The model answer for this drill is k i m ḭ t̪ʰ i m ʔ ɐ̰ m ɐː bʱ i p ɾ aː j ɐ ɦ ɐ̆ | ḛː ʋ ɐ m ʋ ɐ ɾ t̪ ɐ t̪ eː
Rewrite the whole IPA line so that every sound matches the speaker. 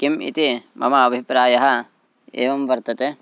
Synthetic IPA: k i m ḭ t̪ i m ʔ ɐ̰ m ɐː bʱ i p ɾ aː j ɐ ɦ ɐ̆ | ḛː ʋ ɐ m ʋ ɐ ɾ t̪ ɐ t̪ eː